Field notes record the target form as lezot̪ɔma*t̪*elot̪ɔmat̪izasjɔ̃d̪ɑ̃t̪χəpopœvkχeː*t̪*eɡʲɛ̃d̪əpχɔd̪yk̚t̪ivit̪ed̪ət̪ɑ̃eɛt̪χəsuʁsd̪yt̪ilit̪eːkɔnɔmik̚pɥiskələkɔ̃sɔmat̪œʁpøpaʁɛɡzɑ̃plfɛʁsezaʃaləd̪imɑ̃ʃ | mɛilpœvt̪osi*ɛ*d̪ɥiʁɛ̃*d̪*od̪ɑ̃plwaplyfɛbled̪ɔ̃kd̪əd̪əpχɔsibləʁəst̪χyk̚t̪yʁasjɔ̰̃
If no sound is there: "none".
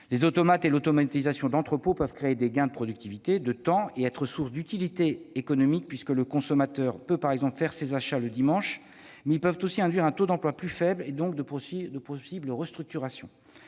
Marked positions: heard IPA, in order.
t̪, d̪, ɛ̃, t̪

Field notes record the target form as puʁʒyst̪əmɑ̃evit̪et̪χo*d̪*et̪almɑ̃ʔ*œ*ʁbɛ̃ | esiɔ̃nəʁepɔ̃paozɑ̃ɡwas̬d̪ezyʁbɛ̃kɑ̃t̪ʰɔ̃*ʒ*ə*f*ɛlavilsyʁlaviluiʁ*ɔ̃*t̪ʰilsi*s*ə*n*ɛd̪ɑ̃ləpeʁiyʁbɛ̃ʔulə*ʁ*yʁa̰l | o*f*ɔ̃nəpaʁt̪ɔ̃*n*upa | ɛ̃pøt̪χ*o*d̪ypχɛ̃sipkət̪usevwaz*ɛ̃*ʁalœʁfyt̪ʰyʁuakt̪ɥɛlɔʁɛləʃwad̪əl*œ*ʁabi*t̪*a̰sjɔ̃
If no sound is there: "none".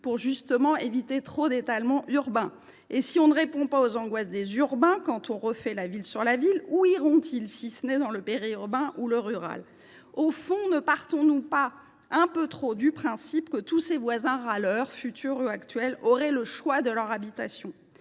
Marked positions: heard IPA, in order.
d̪, y, ʁ, f, ɔ̃, s, n, ʁ, f, n, o, ɛ̃, œ, t̪

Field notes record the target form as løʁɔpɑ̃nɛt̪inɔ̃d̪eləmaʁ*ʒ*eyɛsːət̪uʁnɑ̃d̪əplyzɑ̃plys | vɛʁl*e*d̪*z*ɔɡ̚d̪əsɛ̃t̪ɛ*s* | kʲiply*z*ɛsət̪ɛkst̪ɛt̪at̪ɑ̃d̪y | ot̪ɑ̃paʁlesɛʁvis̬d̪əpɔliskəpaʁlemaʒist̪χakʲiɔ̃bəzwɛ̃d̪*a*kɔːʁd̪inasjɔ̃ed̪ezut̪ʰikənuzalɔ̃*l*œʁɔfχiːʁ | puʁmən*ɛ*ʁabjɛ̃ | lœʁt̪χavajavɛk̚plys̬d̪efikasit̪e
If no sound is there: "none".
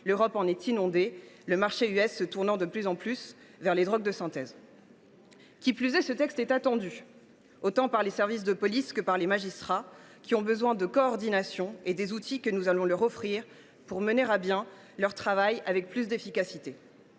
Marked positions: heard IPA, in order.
ʃ, e, ʁ, z, z, ə, l, e

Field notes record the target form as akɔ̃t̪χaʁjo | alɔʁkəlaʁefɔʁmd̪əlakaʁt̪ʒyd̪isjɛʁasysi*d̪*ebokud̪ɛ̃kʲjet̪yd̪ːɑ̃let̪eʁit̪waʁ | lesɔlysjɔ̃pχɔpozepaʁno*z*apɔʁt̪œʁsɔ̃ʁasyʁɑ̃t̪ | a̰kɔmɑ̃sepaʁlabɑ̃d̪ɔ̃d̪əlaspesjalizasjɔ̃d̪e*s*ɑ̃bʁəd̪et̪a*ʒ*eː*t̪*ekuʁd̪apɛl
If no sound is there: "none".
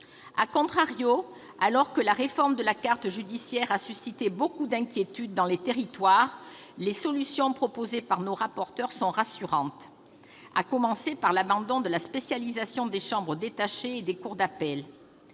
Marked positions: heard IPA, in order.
t̪, ʁ, ʃ, ʃ, d̪

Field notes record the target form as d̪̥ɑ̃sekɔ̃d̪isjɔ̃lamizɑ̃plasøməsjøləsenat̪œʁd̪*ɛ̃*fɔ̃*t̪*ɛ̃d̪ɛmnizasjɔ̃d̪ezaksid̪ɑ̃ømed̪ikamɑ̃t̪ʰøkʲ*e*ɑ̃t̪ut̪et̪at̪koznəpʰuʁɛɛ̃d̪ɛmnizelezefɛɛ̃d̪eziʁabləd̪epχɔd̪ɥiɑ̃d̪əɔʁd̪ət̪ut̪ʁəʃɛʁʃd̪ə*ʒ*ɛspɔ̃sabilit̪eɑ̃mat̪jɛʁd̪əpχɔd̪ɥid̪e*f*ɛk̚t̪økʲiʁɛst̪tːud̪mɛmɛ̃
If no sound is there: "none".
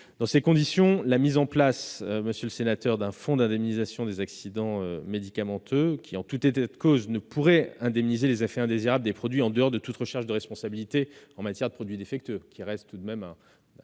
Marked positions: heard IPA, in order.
ɛ̃, d̪, i, ʁ, f

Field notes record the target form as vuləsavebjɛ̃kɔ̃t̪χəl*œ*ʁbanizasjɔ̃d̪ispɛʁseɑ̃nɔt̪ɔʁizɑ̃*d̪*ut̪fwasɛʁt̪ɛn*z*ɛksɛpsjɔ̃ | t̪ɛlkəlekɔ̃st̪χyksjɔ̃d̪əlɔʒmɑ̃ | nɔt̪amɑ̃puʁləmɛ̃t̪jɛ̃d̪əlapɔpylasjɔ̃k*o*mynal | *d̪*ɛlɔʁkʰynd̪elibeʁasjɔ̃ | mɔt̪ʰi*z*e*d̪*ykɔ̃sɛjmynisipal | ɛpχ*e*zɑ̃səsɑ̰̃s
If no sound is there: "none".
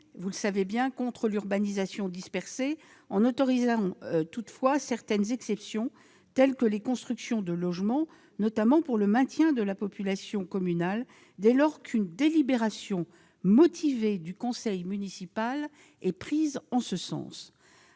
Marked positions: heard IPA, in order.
y, t̪, z, ɔ, d̪, v, d̪, i

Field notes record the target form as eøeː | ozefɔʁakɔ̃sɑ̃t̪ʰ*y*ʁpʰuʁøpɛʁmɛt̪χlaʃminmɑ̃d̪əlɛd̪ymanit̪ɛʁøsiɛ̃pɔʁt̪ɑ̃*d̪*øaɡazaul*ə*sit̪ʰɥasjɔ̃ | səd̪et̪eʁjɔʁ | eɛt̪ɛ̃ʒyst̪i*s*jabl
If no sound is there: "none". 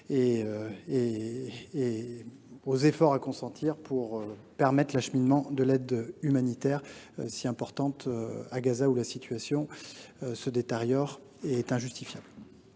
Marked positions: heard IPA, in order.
i, t̪, a, f

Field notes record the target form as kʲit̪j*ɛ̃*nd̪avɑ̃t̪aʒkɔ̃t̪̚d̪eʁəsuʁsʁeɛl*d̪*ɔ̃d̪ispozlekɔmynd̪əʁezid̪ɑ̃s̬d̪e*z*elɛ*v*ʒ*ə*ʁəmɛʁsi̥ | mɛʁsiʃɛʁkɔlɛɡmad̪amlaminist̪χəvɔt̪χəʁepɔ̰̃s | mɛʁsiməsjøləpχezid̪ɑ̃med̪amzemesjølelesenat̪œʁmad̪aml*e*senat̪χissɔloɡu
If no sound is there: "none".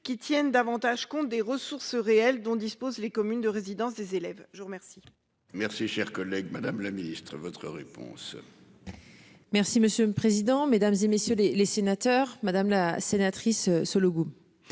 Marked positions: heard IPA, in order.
ɛ, d̪, z, v, ə, a

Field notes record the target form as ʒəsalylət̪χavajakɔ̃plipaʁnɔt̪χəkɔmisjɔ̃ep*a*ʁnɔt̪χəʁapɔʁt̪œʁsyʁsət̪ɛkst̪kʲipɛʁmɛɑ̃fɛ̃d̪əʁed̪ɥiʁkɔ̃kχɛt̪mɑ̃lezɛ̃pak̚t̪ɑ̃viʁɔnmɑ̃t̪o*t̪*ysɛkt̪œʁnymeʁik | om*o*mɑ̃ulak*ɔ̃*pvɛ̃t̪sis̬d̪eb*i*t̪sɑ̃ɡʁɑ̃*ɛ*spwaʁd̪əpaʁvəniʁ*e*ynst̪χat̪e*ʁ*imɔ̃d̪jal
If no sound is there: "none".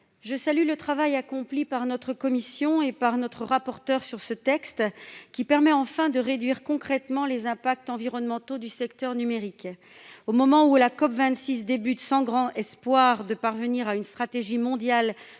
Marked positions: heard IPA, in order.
a, d̪, ɔ, ɔ, y, ɛ, a, ʒ

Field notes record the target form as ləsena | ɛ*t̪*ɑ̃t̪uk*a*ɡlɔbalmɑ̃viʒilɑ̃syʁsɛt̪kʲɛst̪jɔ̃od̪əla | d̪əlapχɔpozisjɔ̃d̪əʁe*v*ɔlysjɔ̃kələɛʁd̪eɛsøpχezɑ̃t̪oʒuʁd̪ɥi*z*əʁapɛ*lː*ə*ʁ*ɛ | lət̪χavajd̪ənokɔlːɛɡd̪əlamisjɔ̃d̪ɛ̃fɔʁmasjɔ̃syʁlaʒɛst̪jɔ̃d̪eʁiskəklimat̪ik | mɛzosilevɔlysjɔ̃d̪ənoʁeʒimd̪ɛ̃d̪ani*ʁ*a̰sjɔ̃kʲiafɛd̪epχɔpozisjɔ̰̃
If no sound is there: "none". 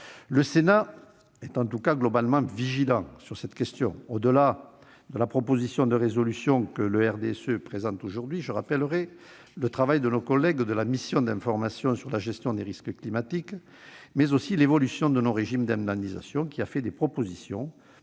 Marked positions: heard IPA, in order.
t̪, a, z, ʒ, l, ʁ, z

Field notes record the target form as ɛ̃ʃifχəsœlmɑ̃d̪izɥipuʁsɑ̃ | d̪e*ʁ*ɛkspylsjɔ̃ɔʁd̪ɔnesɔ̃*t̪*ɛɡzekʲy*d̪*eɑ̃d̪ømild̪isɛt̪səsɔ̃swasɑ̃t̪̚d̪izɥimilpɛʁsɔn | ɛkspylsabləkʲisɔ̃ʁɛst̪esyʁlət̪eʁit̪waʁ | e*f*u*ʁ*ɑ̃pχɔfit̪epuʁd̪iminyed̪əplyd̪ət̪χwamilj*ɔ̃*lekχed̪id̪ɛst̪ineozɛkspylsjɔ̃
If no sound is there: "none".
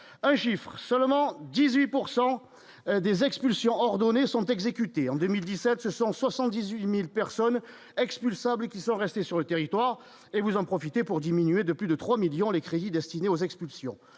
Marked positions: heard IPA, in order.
z, t̪, t̪, v, z, ɔ̃

